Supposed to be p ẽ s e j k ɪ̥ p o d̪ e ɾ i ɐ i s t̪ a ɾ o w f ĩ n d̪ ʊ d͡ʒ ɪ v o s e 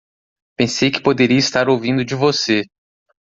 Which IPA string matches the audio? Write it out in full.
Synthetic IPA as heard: p ẽ s e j k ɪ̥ p o d̪ e ɾ i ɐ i s t̪ a ɾ o w v ĩ n d̪ ʊ d͡ʒ ɪ v o s e

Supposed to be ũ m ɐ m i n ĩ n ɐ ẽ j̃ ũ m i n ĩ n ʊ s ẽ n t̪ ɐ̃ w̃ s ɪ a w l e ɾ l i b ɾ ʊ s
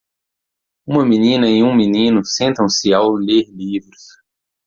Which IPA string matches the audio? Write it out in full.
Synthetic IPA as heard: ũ m ɐ m i n ĩ n ɐ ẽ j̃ ũ m i n ĩ n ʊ s ẽ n t̪ ɐ̃ w̃ s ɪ a w l e ɾ l i v ɾ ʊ s

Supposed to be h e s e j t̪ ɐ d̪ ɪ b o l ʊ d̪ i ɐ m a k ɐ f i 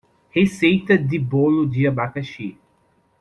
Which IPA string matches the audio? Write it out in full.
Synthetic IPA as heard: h e s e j t̪ ɐ d̪ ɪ b o l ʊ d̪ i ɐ b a k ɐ ʃ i

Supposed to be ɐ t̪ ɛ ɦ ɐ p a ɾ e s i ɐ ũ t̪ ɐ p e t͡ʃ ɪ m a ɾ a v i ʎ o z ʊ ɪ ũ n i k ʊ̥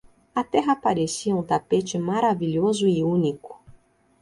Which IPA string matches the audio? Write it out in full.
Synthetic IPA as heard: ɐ t̪ ɛ ɦ ɐ p a ɾ e s i ɐ ũ t̪ a p e t͡ʃ ɪ m a ɾ a v i ʎ o z ʊ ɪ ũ n i k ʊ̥

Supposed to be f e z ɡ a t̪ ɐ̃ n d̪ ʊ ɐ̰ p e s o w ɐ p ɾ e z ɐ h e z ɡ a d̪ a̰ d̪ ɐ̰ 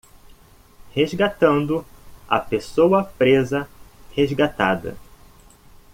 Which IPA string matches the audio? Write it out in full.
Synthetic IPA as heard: h e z ɡ a t̪ ɐ̃ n d̪ ʊ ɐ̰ p e s o w ɐ p ɾ e z ɐ h e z ɡ a t̪ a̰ d̪ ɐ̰

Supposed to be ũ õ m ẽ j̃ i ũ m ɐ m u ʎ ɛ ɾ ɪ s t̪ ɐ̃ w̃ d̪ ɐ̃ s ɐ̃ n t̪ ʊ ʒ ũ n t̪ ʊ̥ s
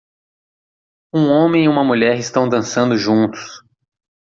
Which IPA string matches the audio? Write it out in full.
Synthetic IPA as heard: ũ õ m ẽ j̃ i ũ m ɐ m u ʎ ɛ ɾ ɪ s t̪ ɐ̃ w̃ d̪ ɐ̃ s ɐ̃ n d̪ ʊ ʒ ũ n t̪ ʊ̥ s

